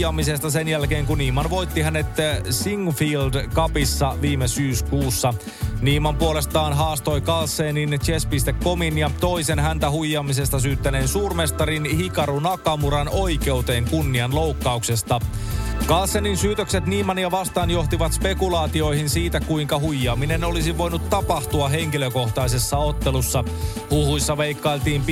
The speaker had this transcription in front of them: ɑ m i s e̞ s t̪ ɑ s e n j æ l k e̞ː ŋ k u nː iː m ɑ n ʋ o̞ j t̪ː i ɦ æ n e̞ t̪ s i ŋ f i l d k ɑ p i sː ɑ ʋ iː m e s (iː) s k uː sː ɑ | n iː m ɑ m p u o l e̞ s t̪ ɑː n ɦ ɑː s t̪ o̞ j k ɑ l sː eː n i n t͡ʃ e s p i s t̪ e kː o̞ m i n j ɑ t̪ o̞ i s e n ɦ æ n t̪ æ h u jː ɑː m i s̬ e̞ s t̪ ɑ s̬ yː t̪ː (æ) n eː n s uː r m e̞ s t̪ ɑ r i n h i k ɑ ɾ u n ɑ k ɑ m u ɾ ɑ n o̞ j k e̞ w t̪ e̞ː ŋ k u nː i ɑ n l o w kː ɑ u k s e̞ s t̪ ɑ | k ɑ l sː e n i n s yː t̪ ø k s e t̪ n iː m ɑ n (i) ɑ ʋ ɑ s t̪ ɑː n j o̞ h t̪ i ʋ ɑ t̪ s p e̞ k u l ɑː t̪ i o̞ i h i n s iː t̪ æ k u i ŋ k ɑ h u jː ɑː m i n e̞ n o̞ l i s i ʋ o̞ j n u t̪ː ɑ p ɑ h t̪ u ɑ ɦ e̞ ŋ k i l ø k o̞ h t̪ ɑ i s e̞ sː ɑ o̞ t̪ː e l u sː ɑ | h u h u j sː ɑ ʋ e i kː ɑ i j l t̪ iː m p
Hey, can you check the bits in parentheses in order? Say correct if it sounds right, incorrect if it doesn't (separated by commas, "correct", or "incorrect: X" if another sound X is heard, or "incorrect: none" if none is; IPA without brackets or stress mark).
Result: incorrect: yː, correct, incorrect: j